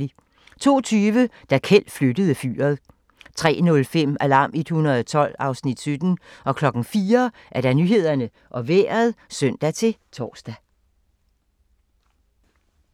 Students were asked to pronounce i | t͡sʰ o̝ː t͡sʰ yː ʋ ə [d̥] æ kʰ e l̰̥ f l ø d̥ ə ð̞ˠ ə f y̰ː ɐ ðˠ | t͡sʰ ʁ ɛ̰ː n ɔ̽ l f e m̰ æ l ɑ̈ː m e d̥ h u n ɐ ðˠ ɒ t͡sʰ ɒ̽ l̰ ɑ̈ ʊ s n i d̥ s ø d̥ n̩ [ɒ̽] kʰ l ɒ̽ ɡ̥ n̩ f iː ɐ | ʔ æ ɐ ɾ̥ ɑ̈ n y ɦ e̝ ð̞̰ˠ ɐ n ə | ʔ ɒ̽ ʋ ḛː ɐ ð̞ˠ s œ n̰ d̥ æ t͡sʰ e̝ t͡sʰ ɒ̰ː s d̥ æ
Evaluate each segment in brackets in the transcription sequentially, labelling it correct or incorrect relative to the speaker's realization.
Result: correct, correct

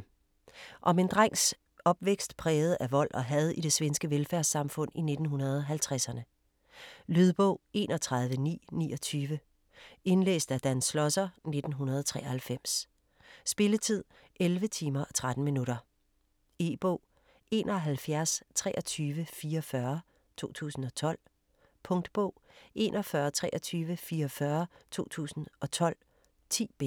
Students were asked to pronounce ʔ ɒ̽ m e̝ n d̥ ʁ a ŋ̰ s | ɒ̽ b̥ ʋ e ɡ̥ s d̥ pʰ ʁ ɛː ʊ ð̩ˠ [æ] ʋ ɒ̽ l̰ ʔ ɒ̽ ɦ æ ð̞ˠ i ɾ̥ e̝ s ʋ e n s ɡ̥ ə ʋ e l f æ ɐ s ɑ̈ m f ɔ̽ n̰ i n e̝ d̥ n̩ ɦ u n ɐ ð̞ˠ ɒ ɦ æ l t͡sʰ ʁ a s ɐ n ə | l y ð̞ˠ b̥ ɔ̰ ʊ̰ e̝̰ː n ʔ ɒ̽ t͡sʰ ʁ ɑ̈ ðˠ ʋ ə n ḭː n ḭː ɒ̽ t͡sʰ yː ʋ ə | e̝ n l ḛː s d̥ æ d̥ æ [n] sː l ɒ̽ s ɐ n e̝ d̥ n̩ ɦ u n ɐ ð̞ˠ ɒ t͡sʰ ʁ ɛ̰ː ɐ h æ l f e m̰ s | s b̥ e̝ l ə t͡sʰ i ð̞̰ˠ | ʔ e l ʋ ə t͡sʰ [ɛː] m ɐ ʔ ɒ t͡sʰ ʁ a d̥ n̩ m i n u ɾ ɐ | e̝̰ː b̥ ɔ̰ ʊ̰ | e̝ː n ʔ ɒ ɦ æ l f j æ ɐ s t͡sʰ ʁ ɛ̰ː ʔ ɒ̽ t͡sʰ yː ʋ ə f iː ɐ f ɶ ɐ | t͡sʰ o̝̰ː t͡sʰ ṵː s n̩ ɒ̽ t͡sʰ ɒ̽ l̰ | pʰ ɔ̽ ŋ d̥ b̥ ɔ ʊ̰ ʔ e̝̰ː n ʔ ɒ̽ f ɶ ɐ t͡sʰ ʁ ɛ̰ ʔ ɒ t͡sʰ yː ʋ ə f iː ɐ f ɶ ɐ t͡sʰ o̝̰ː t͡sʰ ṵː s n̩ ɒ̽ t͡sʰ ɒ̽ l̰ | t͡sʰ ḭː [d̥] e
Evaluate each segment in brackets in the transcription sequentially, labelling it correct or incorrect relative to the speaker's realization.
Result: correct, correct, incorrect, incorrect

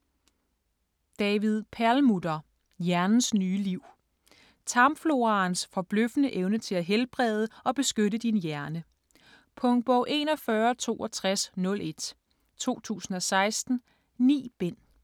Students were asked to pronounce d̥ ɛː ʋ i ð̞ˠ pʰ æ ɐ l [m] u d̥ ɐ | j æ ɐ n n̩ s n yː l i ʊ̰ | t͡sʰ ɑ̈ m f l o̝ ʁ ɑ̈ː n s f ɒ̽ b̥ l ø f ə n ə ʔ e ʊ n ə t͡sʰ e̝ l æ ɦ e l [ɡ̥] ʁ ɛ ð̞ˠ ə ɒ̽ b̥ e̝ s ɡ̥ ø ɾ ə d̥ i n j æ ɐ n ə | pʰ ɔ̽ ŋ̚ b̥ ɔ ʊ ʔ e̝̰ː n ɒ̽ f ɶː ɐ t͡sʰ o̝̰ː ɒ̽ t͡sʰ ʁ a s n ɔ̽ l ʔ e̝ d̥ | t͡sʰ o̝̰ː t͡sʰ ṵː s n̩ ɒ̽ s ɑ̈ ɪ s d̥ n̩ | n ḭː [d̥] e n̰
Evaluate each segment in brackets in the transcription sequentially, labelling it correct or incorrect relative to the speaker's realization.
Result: correct, incorrect, incorrect

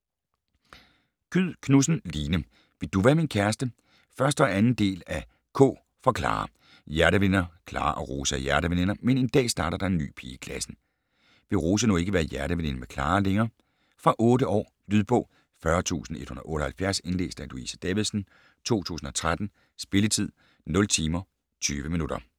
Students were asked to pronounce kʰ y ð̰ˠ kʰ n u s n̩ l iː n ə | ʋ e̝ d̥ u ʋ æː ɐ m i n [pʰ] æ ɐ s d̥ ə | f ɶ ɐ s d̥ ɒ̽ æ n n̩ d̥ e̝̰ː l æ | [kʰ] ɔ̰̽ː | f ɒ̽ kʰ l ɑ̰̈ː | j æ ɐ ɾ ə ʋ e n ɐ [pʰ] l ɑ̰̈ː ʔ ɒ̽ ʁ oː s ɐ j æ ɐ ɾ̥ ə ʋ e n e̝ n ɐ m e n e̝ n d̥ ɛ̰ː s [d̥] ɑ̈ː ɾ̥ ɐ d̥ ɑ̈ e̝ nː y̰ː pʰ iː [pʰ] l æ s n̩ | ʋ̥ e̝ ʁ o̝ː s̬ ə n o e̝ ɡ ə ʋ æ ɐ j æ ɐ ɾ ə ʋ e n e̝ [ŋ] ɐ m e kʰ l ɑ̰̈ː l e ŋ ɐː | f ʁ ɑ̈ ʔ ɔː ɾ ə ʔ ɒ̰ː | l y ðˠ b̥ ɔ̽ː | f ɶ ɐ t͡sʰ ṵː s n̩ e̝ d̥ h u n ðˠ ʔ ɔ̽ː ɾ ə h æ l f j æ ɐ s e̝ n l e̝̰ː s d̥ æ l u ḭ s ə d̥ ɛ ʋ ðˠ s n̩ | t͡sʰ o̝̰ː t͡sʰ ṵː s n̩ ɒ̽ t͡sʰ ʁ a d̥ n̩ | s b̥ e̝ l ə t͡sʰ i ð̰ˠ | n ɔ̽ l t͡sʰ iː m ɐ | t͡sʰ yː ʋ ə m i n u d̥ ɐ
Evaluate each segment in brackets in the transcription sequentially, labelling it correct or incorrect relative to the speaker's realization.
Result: incorrect, correct, incorrect, correct, incorrect, incorrect

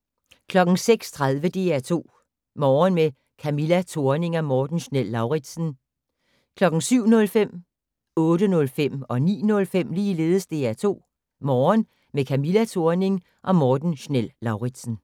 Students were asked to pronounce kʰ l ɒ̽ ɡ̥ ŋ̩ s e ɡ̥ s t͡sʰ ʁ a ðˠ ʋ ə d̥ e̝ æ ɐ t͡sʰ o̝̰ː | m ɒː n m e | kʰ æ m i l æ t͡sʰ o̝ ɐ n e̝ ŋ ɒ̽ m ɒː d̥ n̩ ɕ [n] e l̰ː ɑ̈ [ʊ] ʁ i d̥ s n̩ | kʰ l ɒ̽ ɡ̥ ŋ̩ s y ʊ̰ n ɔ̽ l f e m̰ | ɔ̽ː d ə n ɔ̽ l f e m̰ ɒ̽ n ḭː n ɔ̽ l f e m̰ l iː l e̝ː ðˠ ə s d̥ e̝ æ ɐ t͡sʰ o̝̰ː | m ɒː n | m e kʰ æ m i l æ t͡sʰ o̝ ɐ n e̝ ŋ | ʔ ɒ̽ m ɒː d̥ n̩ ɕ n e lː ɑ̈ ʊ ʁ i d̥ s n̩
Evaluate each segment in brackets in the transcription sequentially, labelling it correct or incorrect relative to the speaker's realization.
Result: correct, correct

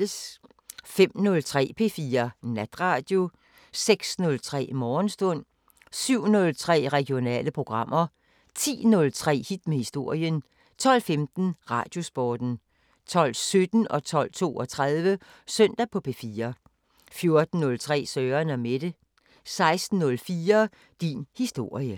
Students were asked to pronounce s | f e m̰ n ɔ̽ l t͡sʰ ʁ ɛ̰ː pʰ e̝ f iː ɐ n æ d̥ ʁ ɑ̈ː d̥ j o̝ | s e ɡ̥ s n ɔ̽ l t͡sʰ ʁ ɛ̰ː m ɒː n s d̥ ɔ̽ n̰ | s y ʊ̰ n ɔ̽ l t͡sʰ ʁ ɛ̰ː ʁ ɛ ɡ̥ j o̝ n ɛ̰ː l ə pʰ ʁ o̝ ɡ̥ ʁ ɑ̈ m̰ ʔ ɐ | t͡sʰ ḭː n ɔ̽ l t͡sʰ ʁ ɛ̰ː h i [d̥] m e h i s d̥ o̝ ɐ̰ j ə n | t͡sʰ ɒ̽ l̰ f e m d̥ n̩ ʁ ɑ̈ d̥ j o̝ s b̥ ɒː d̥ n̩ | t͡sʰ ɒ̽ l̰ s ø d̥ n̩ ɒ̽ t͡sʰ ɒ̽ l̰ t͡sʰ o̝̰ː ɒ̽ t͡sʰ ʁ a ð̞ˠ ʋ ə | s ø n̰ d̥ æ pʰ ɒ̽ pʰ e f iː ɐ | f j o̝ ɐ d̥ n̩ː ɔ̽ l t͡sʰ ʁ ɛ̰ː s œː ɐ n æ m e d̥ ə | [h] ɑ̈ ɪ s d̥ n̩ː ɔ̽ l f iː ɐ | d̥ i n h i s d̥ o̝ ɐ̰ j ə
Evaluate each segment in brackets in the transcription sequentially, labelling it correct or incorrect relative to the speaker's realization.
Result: correct, incorrect

